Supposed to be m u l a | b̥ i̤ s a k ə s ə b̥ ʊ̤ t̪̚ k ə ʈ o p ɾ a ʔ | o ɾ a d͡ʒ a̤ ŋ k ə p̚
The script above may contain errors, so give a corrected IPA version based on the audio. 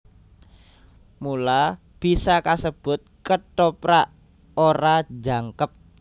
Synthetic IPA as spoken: m u l a | b̥ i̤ s a k a s ə b̥ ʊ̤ t̪̚ k ə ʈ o p ɾ a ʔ | o ɾ a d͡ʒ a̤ ŋ k ə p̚